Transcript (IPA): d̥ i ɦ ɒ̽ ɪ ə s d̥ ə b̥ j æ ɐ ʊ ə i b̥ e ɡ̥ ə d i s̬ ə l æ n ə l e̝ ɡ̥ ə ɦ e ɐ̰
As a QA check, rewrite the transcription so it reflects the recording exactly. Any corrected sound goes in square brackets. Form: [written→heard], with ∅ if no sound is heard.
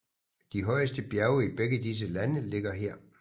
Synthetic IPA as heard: d̥ i ɦ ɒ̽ ɪ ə s d̥ ə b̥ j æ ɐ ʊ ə i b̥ e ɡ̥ ə d i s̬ ə l æ n ə l e̝ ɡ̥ [ə→ɐ] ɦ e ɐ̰

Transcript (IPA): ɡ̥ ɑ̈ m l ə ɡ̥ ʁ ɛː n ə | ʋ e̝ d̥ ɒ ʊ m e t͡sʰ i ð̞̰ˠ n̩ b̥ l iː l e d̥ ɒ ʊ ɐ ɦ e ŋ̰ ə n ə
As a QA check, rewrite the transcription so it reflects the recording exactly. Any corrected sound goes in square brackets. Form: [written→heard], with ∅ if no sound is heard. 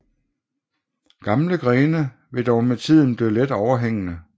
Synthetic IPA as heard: ɡ̥ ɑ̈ m l ə ɡ̥ ʁ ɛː n ə | ʋ e̝ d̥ ɒ ʊ m e t͡sʰ i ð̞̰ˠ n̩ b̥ l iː l e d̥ ɒ ʊ ɐ ɦ e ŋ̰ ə n ə

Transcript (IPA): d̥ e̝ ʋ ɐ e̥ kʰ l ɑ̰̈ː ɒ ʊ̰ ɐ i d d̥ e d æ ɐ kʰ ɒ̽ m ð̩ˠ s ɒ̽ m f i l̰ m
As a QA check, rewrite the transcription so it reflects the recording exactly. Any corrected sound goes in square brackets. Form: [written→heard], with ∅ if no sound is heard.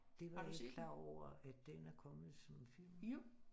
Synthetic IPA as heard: d̥ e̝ ʋ [ɐ→ɑ] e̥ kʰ l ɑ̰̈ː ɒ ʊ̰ ɐ [i→æ] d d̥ e [d→n] æ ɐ kʰ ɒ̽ m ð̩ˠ s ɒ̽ m f i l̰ m

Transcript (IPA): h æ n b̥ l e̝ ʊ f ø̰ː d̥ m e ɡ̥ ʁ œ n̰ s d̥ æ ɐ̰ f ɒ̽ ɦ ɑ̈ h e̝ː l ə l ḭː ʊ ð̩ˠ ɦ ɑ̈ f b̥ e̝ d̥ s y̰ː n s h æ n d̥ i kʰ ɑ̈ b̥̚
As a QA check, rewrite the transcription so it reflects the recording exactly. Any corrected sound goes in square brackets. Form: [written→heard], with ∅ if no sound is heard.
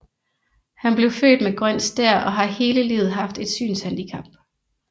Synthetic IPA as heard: h æ n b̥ l e̝ ʊ f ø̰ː d̥ m e ɡ̥ ʁ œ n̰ s d̥ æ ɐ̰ [f→∅] ɒ̽ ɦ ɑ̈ h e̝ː l ə l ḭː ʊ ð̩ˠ ɦ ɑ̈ f [b̥→d̥] e̝ d̥ s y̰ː n s h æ n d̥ i kʰ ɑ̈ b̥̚

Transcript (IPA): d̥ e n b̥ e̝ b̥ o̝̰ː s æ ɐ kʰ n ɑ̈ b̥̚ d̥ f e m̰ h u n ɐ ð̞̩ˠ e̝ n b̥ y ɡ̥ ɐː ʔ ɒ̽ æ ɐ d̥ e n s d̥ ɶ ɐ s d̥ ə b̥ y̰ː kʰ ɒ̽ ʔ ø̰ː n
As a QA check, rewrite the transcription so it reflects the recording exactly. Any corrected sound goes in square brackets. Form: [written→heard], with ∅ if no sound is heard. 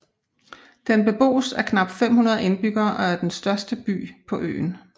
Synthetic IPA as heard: d̥ e n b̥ e̝ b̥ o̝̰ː s æ ɐ kʰ n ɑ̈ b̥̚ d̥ f e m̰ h u n ɐ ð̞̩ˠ e̝ n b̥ y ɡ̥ ɐː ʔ ɒ̽ æ ɐ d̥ e n s d̥ ɶ ɐ s d̥ ə b̥ y̰ː [kʰ→pʰ] ɒ̽ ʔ ø̰ː n

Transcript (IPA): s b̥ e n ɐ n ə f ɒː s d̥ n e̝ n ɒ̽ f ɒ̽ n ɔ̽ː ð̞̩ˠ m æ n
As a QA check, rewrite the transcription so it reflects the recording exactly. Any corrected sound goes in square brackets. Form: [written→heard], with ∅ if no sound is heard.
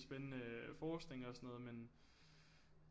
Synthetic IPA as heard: s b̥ e n [ɐ→ə] n ə f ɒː s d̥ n e̝ [n→ŋ] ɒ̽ [f→s] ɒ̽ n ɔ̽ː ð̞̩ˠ m [æ→e] n

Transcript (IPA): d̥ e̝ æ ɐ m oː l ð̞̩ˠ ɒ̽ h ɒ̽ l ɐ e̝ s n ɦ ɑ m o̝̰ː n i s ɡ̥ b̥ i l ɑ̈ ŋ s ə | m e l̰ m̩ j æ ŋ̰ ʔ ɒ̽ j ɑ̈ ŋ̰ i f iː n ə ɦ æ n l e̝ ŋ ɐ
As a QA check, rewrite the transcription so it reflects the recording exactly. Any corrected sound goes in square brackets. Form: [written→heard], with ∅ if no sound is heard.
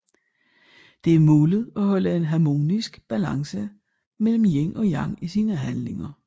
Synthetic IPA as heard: d̥ e̝ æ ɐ m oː l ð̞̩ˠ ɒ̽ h ɒ̽ l [ɐ→ə] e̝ [s→∅] n ɦ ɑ m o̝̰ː n i s ɡ̥ b̥ [i→æ] l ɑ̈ ŋ s ə | m e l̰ m̩ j [æ→e] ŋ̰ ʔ ɒ̽ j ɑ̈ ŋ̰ i [f→s] iː n ə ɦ æ n l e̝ ŋ ɐ

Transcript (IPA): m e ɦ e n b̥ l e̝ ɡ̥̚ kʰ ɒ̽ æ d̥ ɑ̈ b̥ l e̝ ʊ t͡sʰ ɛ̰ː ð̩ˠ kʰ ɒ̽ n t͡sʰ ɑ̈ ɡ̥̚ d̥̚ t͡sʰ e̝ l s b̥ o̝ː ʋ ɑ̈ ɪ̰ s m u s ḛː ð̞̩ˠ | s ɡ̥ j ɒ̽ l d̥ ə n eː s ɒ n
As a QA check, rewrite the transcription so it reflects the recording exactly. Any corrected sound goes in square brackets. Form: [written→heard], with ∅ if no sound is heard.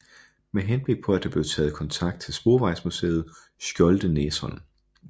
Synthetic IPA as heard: m e ɦ e n b̥ l e̝ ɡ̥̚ [kʰ→pʰ] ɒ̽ æ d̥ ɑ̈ b̥ l e̝ ʊ t͡sʰ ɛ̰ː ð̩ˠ kʰ ɒ̽ n t͡sʰ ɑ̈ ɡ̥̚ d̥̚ t͡sʰ e̝ l s b̥ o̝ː ʋ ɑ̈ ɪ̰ s m u s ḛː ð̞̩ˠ | s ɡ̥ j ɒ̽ l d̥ ə n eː s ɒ n

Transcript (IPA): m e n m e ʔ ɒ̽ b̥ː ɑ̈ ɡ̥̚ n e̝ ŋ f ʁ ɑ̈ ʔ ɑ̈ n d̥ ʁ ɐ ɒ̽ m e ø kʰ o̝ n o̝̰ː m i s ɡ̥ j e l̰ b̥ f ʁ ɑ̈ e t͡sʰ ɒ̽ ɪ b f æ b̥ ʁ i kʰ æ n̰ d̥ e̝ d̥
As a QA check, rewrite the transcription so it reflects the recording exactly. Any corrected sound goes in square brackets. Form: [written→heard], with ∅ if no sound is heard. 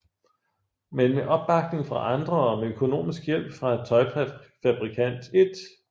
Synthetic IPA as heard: m e n m e ʔ ɒ̽ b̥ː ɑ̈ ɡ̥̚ n e̝ ŋ f ʁ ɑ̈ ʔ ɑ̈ n d̥ ʁ ɐ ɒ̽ m e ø kʰ o̝ n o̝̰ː m i s ɡ̥ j e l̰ b̥ f ʁ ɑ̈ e t͡sʰ ɒ̽ ɪ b f æ b̥ ʁ i kʰ æ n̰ d̥ e̝ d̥

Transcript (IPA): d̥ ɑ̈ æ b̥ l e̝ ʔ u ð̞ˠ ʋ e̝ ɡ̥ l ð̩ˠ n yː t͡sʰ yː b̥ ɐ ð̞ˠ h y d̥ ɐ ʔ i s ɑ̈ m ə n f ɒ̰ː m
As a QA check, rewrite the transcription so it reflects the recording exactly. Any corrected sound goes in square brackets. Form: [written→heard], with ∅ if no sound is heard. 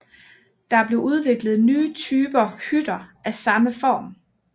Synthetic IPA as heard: d̥ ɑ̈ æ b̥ l e̝ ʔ u ð̞ˠ ʋ e̝ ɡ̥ l ð̩ˠ n yː t͡sʰ yː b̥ ɐ [ð̞ˠ→∅] h y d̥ ɐ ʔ [i→æ] s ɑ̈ m ə [n→∅] f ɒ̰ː m

